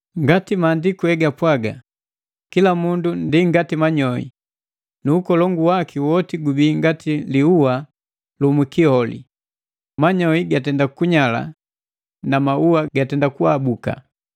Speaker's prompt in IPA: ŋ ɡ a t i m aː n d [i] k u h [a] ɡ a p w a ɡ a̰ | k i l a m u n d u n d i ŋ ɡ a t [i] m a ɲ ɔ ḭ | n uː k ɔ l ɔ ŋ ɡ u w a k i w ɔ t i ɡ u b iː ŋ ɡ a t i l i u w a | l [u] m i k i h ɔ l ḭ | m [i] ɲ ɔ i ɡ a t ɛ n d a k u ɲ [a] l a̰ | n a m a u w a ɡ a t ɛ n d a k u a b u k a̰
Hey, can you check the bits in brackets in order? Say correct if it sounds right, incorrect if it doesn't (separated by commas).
correct, incorrect, correct, correct, incorrect, correct